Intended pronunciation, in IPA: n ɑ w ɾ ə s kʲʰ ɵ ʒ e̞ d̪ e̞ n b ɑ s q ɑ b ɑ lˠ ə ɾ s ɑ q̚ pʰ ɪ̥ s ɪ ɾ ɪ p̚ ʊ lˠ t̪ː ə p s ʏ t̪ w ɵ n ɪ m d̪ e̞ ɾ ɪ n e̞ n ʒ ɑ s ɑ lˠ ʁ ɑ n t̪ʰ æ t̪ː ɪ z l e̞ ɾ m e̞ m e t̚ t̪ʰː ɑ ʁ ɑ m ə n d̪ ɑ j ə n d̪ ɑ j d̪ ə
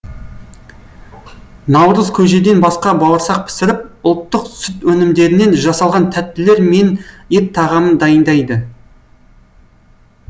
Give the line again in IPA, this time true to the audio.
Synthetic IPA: n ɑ w ɾ ə z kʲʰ ɵ ʒ e̞ d̪ e̞ n b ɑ s q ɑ b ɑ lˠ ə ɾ s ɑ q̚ pʰ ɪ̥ s ɪ ɾ ɪ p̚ ʊ lˠ t̪ː ə q s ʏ t̪ w ɵ n ɪ m d̪ e̞ ɾ ɪ n e̞ n ʒ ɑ s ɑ lˠ ʁ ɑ n t̪ʰ æ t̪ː ɪ l e̞ ɾ m e̞ n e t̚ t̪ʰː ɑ ʁ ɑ m ə n d̪ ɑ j ə n d̪ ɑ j d̪ ə

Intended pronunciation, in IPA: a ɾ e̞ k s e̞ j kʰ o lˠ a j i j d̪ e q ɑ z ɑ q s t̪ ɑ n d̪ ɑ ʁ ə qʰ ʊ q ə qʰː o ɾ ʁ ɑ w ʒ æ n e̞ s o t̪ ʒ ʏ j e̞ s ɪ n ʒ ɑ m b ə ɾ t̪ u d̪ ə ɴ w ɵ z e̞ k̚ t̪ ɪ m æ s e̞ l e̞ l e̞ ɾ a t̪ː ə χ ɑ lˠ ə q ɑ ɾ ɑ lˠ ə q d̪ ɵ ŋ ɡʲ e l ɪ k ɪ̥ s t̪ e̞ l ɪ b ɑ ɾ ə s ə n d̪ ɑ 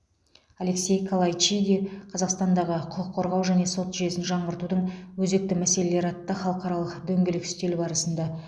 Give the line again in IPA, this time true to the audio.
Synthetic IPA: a l e̞ k s e̞ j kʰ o lˠ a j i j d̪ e qʰ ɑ z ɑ q s t̪ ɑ n d̪ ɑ ʁ ə qʰ ʊ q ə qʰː o ɾ ʁ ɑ w ʒ æ n e̞ s o t̪ ʒ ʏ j e̞ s ɪ n ʒ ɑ ɴ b ə ɾ t̪ u d̪ ə ɴ w ɵ z e̞ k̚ t̪ ɪ m æ s e̞ l e̞ l e̞ ɾ ɑ t̪ː ə χ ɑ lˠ ə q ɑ ɾ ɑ lˠ ə q d̪ ɵ ŋ ɡʲ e l ɪ k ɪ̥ s t̪ e̞ l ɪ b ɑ ɾ ə s ə n d̪ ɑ

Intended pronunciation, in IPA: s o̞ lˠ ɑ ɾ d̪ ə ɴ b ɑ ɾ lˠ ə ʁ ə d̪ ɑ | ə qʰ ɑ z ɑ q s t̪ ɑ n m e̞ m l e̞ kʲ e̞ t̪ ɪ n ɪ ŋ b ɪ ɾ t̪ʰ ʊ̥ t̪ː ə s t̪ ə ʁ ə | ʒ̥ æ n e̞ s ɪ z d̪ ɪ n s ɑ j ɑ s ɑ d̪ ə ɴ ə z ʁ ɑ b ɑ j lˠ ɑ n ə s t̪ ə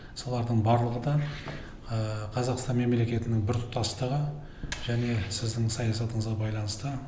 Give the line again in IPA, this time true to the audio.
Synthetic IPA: s o̞ lˠ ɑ ɾ d̪ ə ɴ b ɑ ɾ lˠ ə ʁ ə d̪ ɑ | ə qʰ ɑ z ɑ q s t̪ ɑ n m e̞ m l e̞ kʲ e̞ t̪ ɪ n ɪ ŋ b ɪ ɾ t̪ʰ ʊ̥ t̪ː ɑ s t̪ ə ʁ ə | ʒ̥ æ n e̞ s ɪ z d̪ ɪ ŋ s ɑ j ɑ s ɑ t̪ ə ɴ ə z ʁ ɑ b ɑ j lˠ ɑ n ə s t̪ ə

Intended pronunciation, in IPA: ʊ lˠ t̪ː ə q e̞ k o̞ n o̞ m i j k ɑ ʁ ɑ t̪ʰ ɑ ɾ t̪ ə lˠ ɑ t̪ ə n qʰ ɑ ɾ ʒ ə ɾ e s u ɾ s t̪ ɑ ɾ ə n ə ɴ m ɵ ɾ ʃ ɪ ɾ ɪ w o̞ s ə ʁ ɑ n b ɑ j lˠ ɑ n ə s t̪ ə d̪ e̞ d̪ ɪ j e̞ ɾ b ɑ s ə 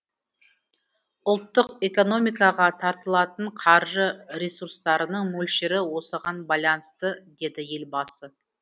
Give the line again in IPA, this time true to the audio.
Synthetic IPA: ʊ lˠ t̪ː ə q e̞ k o̞ n o̞ m i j k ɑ ʁ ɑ t̪ʰ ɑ ɾ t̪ ə lˠ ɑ t̪ ə ɴ qʰ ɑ ɾ ʒ ə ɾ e s u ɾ s t̪ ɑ ɾ ə n ə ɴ m ɵ l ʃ ɪ ɾ ɪ w o̞ s ə ʁ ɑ n b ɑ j lˠ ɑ n ə s t̪ ə d̪ e̞ d̪ ɪ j e̞ l b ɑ s ə

